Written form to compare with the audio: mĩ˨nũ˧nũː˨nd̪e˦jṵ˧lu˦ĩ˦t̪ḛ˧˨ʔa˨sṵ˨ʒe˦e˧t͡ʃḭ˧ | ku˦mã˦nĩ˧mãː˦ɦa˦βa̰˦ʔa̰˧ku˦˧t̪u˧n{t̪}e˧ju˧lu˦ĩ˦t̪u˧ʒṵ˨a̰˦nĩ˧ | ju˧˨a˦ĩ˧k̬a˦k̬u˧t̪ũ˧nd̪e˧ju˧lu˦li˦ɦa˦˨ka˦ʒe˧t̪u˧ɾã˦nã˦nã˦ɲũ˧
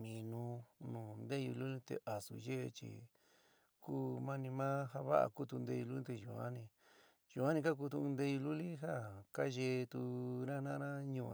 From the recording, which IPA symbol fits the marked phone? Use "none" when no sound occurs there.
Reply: d̪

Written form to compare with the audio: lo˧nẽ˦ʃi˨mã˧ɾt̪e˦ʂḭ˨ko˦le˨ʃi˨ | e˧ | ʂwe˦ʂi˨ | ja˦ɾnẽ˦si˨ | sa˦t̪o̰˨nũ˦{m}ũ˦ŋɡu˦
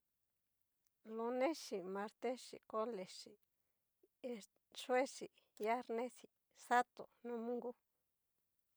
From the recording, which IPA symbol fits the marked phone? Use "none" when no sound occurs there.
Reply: m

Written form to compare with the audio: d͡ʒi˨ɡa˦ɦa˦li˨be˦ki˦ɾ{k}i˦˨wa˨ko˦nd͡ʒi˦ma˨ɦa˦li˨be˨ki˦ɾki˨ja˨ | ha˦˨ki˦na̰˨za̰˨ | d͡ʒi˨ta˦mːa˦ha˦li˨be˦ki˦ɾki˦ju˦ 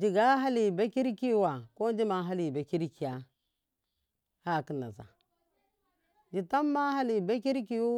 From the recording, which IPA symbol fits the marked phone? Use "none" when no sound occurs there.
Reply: k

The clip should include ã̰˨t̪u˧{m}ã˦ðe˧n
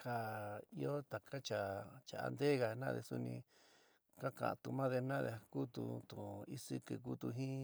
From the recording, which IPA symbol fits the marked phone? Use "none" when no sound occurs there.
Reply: m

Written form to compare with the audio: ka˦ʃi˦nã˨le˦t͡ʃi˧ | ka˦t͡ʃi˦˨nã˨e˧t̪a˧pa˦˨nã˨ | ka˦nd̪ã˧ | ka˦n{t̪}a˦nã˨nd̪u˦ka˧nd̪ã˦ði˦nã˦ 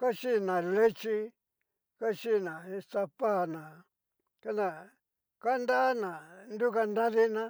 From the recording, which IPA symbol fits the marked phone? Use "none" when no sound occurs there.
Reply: d̪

